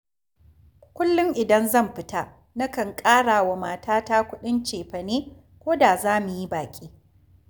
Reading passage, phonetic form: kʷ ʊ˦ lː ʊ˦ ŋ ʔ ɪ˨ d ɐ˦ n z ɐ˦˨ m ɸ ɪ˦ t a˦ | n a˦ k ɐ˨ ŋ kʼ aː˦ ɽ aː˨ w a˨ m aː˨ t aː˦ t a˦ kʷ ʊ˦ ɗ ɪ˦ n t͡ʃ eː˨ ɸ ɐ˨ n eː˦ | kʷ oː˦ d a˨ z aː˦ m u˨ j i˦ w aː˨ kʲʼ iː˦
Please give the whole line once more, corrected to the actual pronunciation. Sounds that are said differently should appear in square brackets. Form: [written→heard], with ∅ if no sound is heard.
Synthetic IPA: kʷ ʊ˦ lː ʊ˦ ŋ ʔ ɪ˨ d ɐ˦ n z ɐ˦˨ m ɸ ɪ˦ t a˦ | n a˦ k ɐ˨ ŋ kʼ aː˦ ɽ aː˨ w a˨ m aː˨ t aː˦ t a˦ kʷ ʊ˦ ɗ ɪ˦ n t͡ʃ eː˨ ɸ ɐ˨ n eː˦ | kʷ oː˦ d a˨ z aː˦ m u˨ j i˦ [w→b] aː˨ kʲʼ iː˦